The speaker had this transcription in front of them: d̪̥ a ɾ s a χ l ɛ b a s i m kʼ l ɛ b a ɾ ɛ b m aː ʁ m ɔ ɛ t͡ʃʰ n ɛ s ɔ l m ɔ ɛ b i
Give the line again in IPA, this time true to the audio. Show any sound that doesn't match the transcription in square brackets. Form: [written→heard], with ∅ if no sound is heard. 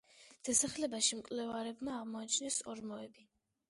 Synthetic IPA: d̪̥ a [ɾ→∅] s a χ l ɛ b a [s→ʃ] i m kʼ l ɛ [b→v] a ɾ ɛ b m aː ʁ m ɔ [ɛ→a] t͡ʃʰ n ɛ s ɔ [l→ɾ] m ɔ ɛ b i